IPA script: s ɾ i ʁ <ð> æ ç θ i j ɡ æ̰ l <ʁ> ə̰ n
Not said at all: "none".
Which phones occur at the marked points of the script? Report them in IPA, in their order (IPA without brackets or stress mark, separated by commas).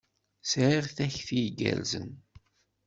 θ, z